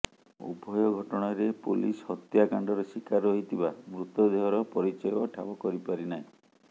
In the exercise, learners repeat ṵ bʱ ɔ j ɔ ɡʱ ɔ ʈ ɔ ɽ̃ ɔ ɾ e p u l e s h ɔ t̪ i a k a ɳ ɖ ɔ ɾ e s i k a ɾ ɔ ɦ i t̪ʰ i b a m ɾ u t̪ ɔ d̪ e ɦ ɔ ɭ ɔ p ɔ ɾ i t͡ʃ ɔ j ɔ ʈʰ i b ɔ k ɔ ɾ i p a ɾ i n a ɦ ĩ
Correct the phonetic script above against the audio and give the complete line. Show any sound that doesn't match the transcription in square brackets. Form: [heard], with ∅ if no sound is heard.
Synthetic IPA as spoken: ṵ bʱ ɔ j ɔ ɡʱ ɔ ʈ ɔ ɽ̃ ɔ ɾ e p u l [i] s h ɔ t̪ [j] a k a ɳ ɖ ɔ ɾ e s i k a ɾ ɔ ɦ i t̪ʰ i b a m ɾ u t̪ ɔ d̪ e ɦ ɔ [ɾ] ɔ p ɔ ɾ i t͡ʃ ɔ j ɔ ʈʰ [a] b ɔ k ɔ ɾ i p a ɾ i n a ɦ ĩ